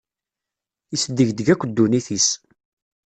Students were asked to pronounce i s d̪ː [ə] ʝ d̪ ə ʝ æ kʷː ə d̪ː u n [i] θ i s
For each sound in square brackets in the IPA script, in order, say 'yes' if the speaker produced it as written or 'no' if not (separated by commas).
yes, yes